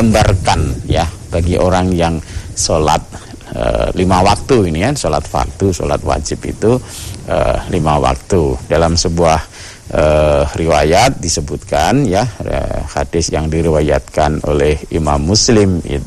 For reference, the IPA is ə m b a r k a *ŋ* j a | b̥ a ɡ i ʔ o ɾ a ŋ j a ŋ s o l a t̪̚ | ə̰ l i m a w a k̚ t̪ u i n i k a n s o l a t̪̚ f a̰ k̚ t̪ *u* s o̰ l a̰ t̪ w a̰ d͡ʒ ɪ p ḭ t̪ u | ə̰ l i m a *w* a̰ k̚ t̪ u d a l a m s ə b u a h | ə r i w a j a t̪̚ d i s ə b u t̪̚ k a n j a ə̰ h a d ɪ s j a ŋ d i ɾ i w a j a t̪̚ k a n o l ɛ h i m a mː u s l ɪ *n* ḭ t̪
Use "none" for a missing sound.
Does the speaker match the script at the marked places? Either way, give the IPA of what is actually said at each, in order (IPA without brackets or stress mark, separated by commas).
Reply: n, u, w, m